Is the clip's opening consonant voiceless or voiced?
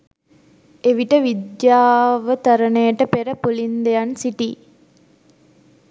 voiced